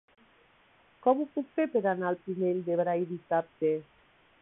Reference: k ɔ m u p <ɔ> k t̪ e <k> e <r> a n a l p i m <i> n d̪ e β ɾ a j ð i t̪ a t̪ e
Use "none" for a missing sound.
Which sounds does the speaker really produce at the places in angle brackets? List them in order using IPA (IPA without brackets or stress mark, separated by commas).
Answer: u, p, ɾ, e